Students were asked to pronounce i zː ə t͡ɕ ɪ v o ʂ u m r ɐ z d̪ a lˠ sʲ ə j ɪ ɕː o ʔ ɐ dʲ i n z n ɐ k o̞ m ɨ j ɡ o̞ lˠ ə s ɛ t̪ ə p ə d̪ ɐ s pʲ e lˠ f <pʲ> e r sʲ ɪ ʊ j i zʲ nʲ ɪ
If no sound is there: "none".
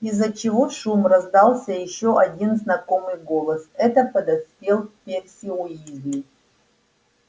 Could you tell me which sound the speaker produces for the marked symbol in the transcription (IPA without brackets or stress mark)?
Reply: pʲ